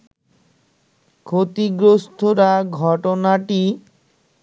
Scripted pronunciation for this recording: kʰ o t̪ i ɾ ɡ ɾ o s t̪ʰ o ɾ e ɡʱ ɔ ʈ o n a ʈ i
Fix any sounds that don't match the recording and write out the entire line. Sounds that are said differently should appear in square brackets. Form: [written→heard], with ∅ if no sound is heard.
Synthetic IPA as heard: kʰ o t̪ i [ɾ→∅] ɡ ɾ o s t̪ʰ o ɾ [e→a] ɡʱ ɔ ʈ o n a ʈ i